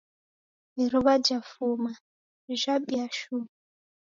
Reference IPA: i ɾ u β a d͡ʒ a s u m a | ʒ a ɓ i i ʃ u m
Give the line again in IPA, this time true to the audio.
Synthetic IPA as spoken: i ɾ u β a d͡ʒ a f u m a | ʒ a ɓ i a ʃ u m